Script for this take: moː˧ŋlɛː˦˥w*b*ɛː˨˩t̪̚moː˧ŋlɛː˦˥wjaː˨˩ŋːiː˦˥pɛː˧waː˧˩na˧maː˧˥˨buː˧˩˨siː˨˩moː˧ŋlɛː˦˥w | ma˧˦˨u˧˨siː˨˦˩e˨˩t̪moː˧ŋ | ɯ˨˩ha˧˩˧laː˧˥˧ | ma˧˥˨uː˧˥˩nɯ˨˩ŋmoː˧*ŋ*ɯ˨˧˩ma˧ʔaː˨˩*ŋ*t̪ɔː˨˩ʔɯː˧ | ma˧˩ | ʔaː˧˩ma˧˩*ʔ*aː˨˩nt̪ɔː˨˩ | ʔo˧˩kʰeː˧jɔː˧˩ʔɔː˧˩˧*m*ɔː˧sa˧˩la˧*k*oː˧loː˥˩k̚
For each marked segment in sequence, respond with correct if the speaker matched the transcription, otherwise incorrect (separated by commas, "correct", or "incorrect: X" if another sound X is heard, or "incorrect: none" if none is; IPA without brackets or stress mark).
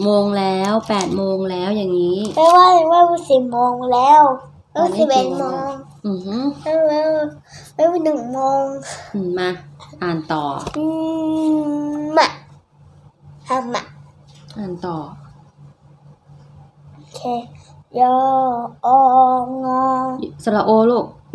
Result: incorrect: p, correct, incorrect: n, correct, incorrect: ŋ, incorrect: ʔ